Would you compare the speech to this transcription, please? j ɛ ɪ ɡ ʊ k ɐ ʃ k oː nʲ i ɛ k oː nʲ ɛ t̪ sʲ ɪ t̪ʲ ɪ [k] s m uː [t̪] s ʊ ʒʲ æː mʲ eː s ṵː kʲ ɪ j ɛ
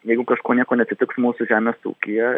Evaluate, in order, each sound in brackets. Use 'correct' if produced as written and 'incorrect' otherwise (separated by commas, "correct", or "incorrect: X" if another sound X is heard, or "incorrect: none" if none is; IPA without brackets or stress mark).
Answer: correct, incorrect: none